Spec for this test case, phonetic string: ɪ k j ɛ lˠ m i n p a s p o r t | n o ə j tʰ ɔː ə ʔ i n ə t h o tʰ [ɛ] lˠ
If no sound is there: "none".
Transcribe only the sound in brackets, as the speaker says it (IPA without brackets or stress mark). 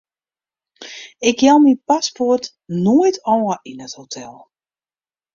ɛ